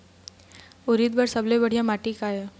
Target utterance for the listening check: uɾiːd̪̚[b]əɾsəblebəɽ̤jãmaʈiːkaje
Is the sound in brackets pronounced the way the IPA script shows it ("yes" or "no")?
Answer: yes